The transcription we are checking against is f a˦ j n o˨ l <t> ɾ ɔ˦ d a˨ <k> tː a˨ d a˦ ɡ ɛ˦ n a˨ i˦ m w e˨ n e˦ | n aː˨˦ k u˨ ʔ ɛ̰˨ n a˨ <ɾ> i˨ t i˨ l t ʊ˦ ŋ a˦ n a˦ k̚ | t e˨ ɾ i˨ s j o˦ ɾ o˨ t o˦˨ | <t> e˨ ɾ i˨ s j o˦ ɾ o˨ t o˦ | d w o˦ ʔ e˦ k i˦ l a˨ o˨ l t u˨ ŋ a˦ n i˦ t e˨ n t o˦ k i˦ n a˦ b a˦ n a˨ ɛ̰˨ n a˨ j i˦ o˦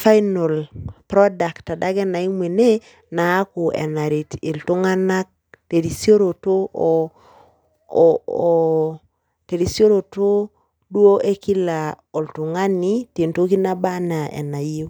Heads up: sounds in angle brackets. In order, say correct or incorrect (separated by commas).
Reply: incorrect, correct, correct, correct